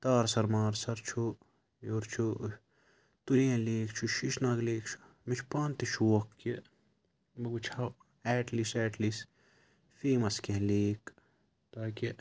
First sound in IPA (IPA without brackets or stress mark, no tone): t̪